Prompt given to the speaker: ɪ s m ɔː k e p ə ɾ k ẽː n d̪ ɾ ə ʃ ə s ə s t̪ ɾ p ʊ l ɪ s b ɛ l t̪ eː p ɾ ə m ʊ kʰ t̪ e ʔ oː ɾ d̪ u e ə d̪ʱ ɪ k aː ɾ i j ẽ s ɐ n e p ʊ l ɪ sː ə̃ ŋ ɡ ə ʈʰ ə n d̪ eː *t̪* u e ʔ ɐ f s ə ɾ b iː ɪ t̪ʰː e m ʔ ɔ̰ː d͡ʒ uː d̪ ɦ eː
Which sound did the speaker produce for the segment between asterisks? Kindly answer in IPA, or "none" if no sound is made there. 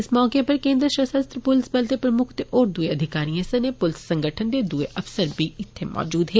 d̪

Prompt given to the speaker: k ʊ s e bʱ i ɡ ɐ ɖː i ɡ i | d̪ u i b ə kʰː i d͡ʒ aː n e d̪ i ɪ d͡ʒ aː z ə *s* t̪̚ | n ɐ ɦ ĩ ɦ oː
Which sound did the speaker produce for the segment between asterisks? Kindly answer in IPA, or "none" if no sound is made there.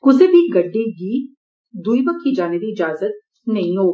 none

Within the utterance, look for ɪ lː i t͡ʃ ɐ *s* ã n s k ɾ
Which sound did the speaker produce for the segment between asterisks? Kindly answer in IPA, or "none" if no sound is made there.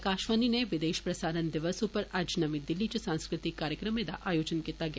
s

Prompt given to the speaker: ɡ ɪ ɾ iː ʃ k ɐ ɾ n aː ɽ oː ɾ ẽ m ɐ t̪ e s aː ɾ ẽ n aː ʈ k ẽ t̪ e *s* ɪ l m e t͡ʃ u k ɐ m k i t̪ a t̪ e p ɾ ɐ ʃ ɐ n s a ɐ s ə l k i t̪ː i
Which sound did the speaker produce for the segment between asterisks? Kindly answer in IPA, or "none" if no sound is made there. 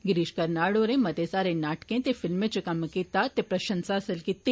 f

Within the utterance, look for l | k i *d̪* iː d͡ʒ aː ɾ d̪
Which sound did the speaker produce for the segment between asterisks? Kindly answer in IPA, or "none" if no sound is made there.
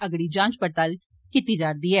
t̪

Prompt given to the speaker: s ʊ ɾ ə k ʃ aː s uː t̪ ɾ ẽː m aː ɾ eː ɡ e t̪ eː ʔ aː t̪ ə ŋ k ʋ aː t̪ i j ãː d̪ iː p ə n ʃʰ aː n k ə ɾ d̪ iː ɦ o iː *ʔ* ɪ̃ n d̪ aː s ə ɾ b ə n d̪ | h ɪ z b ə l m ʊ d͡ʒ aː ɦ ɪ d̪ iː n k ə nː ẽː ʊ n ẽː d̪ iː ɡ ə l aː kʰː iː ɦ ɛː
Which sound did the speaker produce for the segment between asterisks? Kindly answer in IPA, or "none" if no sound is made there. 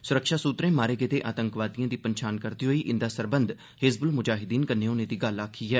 ʔ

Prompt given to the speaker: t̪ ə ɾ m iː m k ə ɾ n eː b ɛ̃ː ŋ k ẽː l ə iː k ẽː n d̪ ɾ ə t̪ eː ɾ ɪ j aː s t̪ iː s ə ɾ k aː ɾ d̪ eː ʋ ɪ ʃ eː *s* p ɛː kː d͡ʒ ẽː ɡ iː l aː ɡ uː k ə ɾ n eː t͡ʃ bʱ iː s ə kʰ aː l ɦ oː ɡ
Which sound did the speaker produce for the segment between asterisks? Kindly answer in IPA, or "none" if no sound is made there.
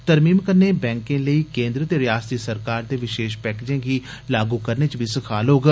ʃ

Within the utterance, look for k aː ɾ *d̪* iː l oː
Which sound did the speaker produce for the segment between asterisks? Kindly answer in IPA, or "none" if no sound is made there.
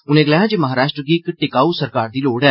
d̪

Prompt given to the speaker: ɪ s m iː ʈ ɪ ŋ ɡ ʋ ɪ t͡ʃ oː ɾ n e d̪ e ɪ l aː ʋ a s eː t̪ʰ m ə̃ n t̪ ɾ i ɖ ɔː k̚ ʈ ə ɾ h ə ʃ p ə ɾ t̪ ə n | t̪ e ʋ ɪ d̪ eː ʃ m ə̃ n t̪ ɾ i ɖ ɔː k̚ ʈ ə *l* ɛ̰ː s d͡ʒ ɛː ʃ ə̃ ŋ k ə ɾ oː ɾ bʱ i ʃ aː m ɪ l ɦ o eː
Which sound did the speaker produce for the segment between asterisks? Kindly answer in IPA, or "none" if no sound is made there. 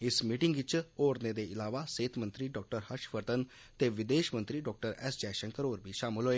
ɾ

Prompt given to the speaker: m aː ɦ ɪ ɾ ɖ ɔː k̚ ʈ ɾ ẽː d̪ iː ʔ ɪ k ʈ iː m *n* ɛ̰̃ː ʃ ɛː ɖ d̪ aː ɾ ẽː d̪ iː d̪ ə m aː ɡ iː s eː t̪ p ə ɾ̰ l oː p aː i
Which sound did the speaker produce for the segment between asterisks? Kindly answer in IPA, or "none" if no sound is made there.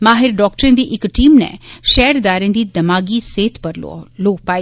n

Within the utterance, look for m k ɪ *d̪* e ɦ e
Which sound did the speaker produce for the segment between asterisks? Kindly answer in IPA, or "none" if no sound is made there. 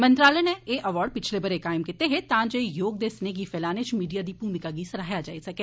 t̪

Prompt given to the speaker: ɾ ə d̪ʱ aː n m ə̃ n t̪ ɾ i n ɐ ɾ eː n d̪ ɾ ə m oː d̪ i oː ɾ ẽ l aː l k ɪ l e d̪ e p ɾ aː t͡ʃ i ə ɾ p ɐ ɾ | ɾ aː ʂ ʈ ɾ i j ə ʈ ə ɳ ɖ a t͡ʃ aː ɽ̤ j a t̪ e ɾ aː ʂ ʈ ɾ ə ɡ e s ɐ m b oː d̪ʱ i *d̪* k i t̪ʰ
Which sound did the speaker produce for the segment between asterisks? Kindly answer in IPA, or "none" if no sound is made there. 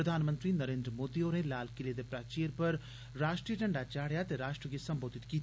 t̪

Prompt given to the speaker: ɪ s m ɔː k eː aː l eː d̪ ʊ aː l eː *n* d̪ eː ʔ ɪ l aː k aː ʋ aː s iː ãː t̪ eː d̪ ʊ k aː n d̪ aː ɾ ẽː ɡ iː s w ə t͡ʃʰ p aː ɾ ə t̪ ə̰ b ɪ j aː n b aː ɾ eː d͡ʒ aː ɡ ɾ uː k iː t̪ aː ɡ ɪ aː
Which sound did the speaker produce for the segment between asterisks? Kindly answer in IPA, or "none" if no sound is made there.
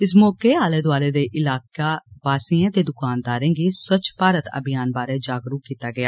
none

